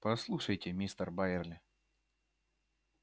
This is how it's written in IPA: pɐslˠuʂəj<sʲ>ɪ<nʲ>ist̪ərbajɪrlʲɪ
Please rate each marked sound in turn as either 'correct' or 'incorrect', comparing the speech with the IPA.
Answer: incorrect: tʲ, incorrect: mʲ

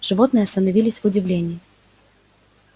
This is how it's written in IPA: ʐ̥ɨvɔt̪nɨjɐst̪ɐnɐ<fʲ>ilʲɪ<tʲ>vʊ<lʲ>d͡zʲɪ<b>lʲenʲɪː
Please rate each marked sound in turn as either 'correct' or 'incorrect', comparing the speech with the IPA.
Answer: incorrect: vʲ, incorrect: sʲ, incorrect: none, incorrect: v

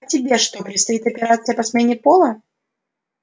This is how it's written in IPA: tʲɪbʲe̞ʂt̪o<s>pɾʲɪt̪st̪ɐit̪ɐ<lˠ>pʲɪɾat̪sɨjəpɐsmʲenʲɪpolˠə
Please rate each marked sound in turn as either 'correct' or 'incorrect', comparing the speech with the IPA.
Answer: incorrect: none, incorrect: none

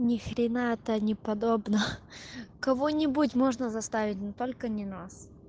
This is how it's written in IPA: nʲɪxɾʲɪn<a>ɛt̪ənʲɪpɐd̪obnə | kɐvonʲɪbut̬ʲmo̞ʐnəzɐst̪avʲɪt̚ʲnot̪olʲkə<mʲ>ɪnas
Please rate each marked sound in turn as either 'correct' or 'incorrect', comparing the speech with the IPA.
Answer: correct, incorrect: nʲ

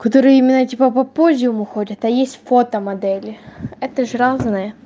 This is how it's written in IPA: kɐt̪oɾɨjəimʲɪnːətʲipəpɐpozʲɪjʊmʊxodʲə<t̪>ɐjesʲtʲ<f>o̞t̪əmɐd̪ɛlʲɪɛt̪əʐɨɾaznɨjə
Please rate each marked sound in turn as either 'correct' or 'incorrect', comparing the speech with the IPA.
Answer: correct, correct

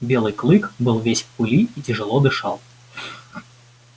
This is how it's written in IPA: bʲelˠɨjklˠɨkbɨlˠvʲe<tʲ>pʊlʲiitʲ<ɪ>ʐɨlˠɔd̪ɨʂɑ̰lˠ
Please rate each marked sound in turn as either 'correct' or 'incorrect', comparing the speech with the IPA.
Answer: incorrect: sʲ, correct

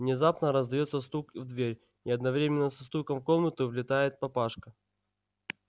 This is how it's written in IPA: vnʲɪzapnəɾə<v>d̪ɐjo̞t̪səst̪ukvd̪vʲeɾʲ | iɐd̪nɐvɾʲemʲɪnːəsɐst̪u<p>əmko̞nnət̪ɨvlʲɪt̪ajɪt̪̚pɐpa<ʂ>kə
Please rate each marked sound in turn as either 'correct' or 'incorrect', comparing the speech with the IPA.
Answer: incorrect: z, incorrect: k, correct

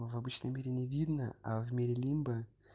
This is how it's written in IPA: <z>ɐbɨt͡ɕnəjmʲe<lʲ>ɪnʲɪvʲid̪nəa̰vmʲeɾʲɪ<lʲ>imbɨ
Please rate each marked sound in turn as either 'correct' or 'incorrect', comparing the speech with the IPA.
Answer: incorrect: v, incorrect: ɾʲ, correct

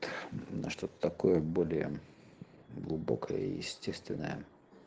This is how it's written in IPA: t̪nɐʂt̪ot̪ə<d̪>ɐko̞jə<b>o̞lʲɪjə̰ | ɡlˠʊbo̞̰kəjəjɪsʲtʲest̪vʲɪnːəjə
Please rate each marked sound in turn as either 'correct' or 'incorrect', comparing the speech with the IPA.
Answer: incorrect: t̪, correct

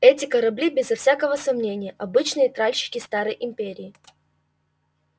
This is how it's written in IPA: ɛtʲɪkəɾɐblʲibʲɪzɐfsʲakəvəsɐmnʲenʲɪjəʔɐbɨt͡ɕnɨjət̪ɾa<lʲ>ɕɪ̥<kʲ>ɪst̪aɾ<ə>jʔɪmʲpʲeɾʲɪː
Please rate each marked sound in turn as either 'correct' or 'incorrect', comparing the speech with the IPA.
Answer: correct, correct, correct

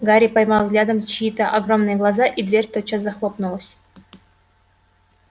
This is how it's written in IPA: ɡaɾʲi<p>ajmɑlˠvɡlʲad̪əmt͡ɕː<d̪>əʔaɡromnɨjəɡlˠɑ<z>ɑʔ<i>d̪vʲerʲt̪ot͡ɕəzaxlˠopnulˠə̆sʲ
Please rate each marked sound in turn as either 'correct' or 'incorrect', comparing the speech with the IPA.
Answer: correct, incorrect: t̪, correct, correct

